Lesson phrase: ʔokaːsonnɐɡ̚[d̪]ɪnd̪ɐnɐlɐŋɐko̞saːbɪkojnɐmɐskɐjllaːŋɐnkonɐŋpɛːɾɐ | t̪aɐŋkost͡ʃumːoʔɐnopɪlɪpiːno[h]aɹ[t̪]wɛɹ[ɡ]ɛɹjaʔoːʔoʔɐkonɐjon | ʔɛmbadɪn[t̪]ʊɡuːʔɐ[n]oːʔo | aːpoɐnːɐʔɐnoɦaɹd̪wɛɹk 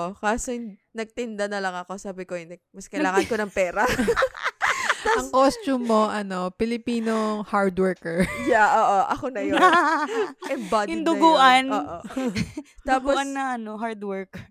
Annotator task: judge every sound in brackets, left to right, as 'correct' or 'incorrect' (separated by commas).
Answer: incorrect, correct, incorrect, incorrect, incorrect, correct